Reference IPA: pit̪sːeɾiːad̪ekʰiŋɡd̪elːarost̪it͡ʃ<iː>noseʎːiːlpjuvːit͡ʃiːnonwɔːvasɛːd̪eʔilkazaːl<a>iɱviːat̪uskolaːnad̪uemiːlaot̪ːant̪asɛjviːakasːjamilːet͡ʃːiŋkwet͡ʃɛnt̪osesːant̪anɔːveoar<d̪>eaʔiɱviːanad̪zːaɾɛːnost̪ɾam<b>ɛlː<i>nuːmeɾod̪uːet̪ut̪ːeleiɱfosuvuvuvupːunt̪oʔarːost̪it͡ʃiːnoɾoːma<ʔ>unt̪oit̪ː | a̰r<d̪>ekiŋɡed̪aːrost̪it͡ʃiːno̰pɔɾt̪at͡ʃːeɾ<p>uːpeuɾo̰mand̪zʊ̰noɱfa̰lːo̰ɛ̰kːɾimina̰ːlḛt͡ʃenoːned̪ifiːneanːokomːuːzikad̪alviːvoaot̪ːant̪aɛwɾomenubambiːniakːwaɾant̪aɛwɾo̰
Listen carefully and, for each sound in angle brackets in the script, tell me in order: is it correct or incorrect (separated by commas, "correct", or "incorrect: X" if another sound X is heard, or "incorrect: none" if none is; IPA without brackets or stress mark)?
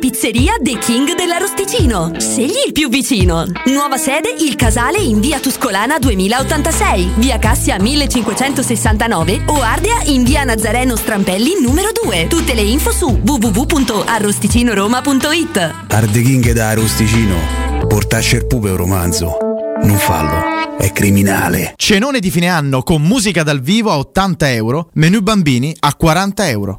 correct, incorrect: e, correct, incorrect: p, correct, incorrect: p, correct, correct